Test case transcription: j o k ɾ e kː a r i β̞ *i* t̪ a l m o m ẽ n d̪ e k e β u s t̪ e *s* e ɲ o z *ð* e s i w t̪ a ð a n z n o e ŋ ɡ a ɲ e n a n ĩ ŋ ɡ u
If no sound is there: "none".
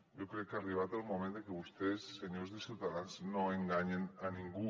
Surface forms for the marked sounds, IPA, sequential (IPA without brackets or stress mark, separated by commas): a, sː, ð